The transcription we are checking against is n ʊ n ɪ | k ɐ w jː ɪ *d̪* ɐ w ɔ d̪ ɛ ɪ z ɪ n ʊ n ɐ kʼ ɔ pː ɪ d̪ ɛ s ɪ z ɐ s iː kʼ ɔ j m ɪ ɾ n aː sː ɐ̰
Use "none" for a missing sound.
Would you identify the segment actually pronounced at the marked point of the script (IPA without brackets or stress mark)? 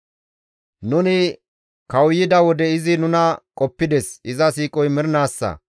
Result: d̪